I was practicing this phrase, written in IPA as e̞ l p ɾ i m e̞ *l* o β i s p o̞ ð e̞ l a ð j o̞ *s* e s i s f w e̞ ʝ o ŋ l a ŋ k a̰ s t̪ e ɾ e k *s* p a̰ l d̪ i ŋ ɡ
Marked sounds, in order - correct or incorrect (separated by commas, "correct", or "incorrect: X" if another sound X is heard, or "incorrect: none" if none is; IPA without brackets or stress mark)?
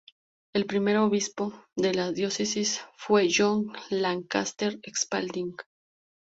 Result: incorrect: ɾ, correct, correct